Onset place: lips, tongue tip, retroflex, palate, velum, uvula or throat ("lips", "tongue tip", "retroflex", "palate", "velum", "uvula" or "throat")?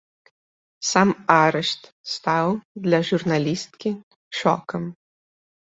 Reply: tongue tip